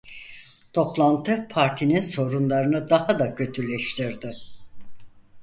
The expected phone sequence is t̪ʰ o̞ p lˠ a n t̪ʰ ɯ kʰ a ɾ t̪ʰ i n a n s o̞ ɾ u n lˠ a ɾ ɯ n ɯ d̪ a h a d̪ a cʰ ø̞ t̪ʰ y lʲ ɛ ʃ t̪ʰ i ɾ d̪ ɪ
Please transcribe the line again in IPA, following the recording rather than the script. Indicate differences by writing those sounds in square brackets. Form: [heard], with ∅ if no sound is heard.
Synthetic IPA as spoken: t̪ʰ o̞ p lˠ a n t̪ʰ ɯ [pʰ] a ɾ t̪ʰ i n [i] n s o̞ ɾ u n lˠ a ɾ ɯ n ɯ d̪ a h a d̪ a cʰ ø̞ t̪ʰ y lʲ ɛ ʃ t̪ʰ i ɾ d̪ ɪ